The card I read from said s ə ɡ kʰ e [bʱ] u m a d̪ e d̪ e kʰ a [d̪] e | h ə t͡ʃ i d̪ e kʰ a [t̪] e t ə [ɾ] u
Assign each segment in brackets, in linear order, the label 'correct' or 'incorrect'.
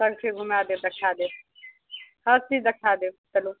incorrect, correct, incorrect, incorrect

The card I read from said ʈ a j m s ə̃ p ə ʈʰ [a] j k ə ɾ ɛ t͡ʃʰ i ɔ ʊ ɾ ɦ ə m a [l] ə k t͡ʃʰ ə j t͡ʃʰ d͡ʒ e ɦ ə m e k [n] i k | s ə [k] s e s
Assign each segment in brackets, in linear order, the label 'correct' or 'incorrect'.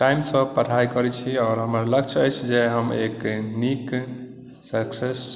correct, correct, correct, correct

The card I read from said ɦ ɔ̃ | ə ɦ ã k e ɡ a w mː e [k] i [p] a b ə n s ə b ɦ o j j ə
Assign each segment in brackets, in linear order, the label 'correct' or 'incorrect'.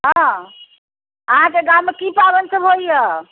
correct, correct

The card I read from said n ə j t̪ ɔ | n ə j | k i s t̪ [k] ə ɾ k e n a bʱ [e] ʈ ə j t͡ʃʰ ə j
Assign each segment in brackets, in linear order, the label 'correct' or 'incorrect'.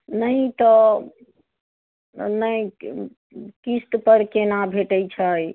incorrect, correct

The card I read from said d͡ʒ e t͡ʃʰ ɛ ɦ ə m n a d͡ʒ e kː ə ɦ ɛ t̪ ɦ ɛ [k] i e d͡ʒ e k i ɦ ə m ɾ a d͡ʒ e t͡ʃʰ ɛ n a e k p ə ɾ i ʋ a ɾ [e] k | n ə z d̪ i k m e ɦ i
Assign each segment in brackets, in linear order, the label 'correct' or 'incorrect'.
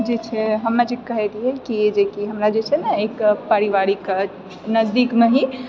correct, incorrect

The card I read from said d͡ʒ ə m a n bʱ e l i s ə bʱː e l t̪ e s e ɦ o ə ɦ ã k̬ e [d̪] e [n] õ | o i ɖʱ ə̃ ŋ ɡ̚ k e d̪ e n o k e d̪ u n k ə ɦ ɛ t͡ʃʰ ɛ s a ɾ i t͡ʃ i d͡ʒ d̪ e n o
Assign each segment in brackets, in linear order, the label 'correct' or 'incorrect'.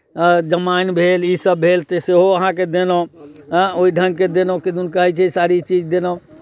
correct, correct

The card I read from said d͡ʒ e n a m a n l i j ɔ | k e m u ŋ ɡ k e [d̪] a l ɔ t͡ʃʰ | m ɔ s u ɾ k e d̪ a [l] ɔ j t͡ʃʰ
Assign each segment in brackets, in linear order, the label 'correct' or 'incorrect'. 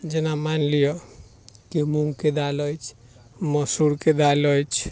correct, correct

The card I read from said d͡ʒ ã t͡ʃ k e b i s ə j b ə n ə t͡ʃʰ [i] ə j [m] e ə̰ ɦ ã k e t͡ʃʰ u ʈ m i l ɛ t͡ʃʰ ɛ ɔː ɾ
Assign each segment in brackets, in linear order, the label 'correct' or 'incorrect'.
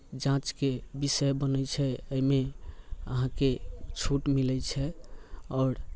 incorrect, correct

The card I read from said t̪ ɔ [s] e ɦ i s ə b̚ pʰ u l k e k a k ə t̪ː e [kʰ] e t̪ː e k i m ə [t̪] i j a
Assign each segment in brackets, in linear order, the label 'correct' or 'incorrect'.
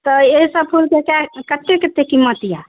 incorrect, incorrect, correct

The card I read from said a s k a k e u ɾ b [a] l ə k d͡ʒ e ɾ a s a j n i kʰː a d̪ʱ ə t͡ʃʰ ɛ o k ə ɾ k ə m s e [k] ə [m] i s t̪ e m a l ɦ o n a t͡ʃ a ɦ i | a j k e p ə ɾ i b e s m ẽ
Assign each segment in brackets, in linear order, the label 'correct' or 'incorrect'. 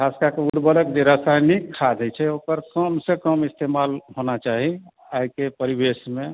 incorrect, correct, correct

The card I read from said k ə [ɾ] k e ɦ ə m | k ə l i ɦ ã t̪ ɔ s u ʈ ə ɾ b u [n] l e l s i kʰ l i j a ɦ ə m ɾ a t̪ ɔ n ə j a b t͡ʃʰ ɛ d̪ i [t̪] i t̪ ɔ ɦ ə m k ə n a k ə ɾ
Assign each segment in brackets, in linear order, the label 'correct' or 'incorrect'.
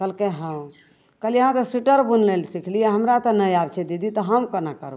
incorrect, correct, incorrect

